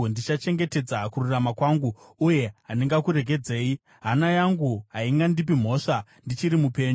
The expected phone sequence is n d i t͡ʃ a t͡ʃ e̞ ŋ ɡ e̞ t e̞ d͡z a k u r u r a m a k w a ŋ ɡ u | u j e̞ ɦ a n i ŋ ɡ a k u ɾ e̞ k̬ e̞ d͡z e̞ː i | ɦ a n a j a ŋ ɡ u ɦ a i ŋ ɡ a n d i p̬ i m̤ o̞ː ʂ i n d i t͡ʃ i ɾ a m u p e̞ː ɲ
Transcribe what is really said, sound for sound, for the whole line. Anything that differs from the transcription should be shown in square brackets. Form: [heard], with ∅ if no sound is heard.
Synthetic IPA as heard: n d i t͡ʃ a t͡ʃ e̞ ŋ ɡ e̞ t e̞ d͡z a k u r u r a m a k w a ŋ ɡ u | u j e̞ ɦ a n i ŋ ɡ a k u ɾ e̞ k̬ e̞ d͡z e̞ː i | ɦ a n a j a ŋ ɡ u ɦ a i ŋ ɡ a n d i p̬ i m̤ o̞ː ʂ [a] n d i t͡ʃ i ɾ [i] m u p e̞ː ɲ